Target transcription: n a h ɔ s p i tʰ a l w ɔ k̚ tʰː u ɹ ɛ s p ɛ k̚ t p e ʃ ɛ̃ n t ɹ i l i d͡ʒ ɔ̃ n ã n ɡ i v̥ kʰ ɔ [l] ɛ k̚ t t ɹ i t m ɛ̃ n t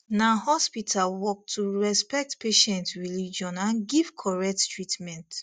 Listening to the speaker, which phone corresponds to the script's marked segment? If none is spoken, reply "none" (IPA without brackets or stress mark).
ɹ